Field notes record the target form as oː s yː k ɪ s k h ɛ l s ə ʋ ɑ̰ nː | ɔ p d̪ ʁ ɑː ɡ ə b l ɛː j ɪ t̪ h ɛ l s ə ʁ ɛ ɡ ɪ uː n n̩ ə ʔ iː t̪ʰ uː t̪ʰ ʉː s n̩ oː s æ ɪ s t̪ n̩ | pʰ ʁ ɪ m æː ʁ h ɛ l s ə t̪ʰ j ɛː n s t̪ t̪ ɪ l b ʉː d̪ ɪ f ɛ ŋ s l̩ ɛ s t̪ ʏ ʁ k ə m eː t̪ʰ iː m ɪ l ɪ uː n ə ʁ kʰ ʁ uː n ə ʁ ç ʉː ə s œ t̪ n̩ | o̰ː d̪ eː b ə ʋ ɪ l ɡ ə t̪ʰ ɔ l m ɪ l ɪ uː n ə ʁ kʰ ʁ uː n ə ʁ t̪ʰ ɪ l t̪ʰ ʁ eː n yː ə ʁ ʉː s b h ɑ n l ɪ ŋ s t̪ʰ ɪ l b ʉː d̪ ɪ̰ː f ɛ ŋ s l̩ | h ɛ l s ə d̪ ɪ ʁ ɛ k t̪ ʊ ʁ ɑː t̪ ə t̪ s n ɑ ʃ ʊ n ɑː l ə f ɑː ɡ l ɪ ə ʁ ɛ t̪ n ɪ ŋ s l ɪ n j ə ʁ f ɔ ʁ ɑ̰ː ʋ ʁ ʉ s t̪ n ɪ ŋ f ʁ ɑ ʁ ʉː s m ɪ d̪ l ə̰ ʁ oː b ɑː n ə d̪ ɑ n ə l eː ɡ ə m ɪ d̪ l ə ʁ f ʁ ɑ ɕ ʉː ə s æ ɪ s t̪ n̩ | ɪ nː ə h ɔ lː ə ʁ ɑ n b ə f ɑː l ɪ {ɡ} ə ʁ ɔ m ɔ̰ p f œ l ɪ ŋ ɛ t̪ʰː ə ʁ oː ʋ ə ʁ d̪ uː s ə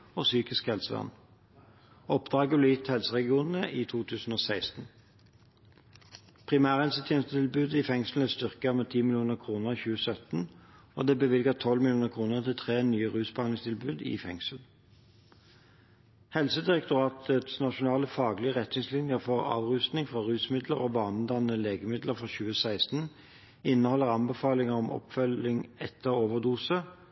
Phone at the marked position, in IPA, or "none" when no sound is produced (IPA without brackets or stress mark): ŋ